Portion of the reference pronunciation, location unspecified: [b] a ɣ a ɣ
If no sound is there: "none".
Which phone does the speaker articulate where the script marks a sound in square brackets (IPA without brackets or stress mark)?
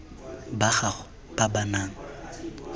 b